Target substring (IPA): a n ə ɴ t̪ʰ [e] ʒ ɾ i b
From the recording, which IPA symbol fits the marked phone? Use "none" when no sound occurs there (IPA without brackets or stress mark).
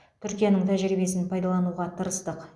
æ